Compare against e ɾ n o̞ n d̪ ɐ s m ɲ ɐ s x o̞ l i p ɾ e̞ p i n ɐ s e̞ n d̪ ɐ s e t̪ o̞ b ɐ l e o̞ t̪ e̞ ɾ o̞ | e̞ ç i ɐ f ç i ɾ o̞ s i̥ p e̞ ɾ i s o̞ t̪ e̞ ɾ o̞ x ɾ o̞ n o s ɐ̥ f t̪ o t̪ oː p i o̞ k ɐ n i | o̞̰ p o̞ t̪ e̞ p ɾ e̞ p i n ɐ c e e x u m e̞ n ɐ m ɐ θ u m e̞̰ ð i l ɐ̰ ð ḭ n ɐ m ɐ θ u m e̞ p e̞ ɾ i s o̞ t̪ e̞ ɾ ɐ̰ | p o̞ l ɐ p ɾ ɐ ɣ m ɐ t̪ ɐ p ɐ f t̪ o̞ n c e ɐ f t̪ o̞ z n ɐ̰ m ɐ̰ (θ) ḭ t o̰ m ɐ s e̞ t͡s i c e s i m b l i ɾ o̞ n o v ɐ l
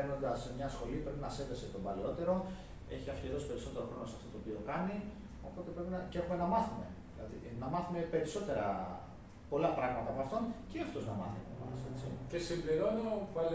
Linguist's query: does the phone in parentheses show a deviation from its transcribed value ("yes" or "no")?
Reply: no